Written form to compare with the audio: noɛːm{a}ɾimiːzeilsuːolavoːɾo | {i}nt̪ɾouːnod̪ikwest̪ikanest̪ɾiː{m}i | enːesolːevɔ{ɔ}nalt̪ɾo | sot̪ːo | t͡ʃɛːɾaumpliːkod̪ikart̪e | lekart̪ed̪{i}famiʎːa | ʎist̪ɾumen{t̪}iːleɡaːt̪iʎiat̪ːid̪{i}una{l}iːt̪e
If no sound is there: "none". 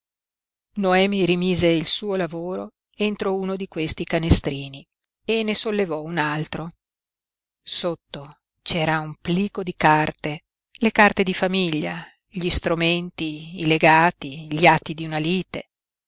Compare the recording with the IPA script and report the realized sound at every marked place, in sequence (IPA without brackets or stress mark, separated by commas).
i, e, n, u, i, t̪, i, l